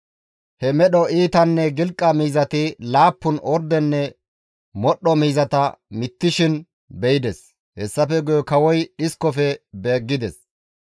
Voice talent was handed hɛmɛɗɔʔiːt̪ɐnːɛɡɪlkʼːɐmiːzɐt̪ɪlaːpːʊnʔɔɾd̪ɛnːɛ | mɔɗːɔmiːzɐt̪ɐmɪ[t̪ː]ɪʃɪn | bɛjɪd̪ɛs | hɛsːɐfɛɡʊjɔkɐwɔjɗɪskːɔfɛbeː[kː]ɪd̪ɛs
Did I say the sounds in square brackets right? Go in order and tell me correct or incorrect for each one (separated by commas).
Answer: correct, incorrect